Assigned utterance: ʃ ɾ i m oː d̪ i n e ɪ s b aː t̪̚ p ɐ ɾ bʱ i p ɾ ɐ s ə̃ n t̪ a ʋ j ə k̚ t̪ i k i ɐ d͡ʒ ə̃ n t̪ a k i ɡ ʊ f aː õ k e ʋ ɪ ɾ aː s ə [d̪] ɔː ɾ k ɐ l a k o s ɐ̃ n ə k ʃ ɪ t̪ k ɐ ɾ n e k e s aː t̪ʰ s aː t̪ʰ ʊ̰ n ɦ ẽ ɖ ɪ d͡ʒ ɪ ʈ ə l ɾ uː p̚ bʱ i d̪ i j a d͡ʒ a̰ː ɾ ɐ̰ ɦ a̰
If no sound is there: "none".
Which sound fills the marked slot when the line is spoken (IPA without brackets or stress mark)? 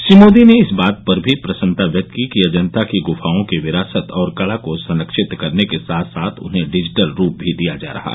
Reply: t̪